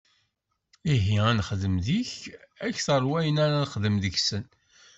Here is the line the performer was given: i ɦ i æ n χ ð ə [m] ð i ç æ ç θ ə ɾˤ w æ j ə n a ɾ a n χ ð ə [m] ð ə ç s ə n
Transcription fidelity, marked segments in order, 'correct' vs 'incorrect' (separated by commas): correct, correct